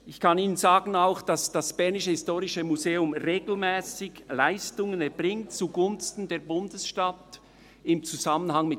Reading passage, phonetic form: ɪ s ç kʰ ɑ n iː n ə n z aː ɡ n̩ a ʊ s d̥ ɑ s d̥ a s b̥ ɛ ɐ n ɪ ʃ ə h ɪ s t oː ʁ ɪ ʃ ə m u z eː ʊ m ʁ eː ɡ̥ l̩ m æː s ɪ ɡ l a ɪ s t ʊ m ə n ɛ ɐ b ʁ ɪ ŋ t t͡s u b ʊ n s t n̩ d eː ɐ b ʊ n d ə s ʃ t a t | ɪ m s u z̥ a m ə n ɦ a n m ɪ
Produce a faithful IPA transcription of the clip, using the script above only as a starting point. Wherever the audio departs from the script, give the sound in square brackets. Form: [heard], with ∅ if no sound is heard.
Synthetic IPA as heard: ɪ [∅] ç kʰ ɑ n iː n ə n z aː ɡ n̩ a ʊ [x] d̥ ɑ s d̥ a s b̥ ɛ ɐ n ɪ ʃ ə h ɪ s t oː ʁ ɪ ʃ ə m u z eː ʊ m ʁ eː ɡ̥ l̩ m [ɛː] s ɪ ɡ l a ɪ s t ʊ [ŋ] ə n ɛ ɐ b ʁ ɪ ŋ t t͡s u [ɡ] ʊ n s t n̩ d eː ɐ b ʊ n d ə s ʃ t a t | ɪ m [t͡s] u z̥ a m ə n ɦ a [ŋ] m ɪ